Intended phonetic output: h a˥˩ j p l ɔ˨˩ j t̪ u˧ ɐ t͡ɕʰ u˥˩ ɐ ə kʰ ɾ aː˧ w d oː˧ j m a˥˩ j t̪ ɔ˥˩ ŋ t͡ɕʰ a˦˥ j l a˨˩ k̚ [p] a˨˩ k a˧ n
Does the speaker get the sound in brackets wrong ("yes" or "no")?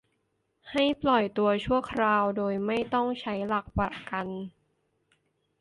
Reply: no